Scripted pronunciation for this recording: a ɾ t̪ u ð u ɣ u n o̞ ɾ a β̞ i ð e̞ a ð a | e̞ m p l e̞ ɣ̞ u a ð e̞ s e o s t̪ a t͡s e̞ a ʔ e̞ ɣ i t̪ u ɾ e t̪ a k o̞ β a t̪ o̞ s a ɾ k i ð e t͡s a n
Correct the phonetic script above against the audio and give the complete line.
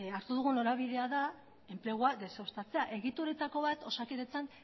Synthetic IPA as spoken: a ɾ t̪ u ð u ɣ u n o̞ ɾ a β̞ i ð e̞ a ð a | e̞ m p l e̞ ɣ̞ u a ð e̞ s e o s t̪ a t͡s e̞ a ʔ e̞ ɣ i t̪ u ɾ e t̪ a k o̞ β a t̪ o̞ s a k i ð e t͡s a n